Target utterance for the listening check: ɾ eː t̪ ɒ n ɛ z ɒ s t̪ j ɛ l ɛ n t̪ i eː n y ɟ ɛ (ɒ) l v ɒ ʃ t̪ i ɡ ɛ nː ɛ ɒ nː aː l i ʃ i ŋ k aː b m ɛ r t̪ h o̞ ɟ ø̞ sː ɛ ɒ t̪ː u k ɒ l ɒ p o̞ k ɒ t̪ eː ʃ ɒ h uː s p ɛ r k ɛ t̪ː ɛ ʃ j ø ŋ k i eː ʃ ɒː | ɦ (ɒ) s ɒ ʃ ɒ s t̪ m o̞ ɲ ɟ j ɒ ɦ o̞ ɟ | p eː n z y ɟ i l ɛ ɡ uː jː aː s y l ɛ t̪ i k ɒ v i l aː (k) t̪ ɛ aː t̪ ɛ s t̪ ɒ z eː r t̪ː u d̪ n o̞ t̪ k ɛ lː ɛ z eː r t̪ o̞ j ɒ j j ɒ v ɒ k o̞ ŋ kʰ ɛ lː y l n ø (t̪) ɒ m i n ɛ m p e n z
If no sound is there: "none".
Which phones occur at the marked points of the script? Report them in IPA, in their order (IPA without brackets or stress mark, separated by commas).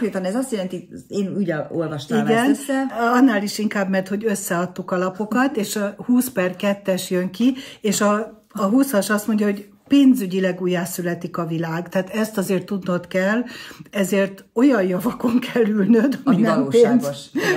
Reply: o, u, ɡ, d̪